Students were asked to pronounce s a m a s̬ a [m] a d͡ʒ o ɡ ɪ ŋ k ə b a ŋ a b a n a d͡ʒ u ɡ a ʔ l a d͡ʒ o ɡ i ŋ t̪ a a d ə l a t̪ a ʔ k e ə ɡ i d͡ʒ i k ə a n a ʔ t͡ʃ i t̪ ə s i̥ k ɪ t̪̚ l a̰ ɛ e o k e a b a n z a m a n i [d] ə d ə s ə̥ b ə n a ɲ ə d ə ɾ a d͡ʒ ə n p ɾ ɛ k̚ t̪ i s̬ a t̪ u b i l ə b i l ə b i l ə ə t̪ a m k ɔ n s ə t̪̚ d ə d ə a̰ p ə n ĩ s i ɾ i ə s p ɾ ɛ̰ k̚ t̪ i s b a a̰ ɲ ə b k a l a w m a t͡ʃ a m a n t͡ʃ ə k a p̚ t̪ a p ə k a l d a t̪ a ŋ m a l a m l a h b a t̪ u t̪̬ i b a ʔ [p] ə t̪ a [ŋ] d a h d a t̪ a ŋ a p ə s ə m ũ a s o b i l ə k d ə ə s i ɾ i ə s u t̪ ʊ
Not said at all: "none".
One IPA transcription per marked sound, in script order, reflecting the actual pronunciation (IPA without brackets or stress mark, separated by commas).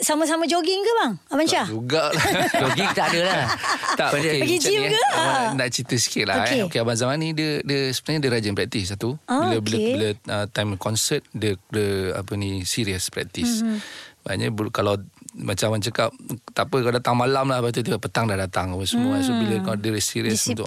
m, d, p, ŋ